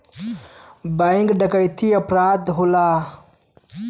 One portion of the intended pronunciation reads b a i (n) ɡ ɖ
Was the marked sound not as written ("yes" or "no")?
yes